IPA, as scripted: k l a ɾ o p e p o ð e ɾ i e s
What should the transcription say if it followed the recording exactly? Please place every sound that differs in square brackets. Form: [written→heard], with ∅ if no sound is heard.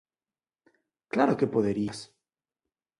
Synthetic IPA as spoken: k l a ɾ o [p→k] e p o ð e ɾ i [e→a] s